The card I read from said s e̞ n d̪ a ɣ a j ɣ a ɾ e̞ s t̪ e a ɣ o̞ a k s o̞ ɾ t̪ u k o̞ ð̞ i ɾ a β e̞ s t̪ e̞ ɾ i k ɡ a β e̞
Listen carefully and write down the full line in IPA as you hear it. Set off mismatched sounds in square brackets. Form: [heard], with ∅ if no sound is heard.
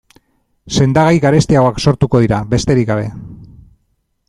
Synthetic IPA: s e̞ n d̪ a ɣ a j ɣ a ɾ e̞ s t̪ [i] a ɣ o̞ a k s o̞ ɾ t̪ u k o̞ ð̞ i ɾ a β e̞ s t̪ e̞ ɾ i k ɡ a β e̞